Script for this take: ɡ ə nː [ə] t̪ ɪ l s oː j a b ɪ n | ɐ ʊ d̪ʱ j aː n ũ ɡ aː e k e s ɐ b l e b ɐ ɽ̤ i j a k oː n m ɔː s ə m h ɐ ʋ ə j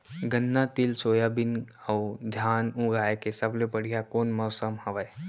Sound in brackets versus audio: incorrect: a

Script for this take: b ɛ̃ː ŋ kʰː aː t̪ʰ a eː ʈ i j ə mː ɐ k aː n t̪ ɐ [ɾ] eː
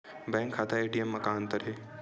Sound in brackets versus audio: correct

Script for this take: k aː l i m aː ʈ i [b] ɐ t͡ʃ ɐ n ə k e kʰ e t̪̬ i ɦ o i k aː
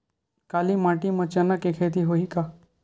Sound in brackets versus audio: incorrect: m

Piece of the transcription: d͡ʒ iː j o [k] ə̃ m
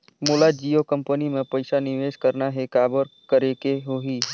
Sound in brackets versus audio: correct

